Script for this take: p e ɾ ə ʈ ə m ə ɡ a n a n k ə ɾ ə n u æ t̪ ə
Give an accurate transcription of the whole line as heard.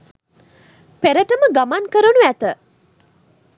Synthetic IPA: p e ɾ ə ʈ ə m ə ɡ a m a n k ə ɾ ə n u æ t̪ ə